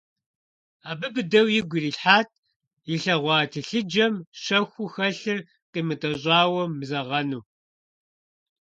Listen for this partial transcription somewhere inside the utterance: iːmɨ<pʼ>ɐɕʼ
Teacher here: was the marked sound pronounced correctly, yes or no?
no